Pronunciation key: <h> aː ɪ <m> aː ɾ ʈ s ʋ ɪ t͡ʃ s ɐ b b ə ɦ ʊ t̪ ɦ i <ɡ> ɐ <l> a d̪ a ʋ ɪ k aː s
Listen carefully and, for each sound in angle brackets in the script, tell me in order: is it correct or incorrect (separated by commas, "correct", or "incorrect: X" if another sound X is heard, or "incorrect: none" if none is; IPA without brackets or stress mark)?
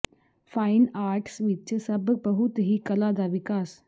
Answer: incorrect: f, incorrect: n, incorrect: k, correct